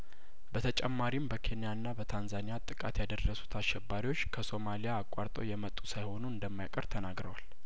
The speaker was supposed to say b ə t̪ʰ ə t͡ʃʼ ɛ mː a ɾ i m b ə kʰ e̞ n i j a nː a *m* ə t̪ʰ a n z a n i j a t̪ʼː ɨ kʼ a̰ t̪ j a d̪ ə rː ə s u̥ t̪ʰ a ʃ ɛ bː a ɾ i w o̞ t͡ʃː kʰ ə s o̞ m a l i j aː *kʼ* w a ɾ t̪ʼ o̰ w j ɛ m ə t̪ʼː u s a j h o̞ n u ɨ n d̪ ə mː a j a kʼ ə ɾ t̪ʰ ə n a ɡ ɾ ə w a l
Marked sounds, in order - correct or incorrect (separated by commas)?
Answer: incorrect, correct